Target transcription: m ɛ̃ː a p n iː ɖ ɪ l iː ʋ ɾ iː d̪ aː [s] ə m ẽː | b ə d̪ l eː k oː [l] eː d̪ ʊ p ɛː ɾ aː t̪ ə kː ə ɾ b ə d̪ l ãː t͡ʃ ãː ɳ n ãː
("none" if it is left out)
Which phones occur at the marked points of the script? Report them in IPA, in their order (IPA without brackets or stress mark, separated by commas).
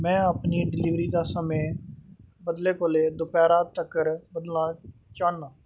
s, l